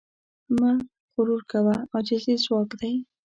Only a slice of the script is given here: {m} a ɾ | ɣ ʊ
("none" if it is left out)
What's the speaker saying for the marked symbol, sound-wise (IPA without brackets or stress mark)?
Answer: m